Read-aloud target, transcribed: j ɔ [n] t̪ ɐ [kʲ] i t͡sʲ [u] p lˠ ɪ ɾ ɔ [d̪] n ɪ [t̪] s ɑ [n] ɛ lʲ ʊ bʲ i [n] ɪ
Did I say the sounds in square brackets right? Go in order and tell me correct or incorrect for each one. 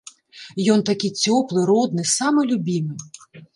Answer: correct, correct, incorrect: ɔ, correct, incorrect: none, incorrect: m, incorrect: m

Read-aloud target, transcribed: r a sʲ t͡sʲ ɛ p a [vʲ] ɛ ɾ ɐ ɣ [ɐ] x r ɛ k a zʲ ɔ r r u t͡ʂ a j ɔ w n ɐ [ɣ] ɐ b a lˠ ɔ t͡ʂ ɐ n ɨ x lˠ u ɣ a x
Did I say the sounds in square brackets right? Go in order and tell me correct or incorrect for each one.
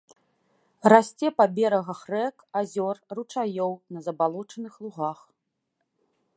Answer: incorrect: bʲ, correct, incorrect: z

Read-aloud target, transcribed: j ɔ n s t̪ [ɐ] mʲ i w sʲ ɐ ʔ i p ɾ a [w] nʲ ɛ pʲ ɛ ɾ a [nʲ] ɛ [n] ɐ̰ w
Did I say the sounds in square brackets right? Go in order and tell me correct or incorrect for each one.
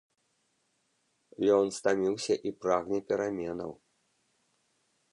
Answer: incorrect: a, incorrect: ɣ, incorrect: mʲ, correct

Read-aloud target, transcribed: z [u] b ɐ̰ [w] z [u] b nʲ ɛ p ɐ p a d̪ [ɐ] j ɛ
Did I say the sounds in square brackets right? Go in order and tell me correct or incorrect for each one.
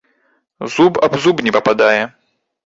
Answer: correct, incorrect: b, correct, incorrect: a

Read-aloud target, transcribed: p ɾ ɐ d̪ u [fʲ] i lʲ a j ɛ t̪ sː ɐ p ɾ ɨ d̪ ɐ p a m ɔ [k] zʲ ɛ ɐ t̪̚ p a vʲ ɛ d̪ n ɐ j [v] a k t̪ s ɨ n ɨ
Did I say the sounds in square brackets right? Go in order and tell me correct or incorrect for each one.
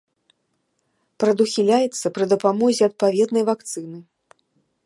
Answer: incorrect: xʲ, incorrect: none, correct

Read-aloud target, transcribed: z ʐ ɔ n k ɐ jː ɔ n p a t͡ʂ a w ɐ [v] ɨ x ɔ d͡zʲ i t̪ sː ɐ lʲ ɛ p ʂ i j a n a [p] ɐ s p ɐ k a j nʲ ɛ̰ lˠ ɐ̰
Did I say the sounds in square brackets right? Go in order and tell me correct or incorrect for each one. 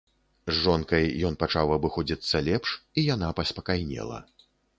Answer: incorrect: b, correct

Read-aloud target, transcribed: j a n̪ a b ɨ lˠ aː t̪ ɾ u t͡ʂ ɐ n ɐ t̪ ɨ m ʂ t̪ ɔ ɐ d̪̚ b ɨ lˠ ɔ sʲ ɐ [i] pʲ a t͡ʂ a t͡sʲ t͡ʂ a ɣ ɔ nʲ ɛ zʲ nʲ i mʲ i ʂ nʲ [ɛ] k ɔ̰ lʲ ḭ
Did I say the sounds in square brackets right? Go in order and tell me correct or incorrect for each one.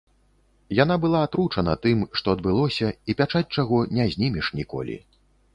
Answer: correct, incorrect: i

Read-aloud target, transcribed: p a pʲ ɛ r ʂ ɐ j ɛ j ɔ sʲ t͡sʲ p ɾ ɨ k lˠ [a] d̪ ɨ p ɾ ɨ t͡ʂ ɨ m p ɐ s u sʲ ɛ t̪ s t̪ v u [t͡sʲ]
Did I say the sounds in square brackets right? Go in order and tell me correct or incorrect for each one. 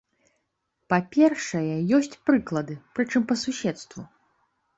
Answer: incorrect: ɐ, incorrect: none

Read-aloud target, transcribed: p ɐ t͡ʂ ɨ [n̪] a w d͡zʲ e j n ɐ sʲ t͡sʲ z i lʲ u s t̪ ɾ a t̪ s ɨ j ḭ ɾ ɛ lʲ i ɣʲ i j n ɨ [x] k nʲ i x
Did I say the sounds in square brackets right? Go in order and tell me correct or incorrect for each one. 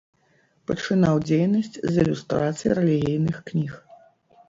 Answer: correct, correct

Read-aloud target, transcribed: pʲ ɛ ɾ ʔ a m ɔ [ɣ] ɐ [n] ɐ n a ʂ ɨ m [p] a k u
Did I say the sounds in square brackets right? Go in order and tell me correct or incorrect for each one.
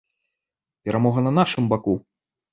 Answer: correct, correct, incorrect: b

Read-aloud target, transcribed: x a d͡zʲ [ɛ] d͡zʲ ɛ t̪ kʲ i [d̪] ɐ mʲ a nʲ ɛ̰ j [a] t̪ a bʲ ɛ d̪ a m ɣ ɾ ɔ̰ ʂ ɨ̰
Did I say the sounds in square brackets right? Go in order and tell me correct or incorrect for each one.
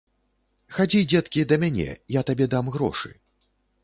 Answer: incorrect: i, correct, correct

